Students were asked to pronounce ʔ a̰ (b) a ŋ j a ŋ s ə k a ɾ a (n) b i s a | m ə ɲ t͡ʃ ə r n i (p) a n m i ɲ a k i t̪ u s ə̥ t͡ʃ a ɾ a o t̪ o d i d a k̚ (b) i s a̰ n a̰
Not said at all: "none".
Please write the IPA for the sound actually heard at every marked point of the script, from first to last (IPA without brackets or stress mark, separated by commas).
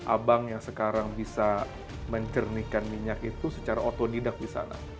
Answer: b, ŋ, k, d